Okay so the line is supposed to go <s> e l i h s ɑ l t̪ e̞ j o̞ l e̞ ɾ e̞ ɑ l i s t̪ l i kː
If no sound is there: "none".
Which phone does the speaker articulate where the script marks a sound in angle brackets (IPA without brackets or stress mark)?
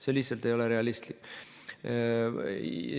s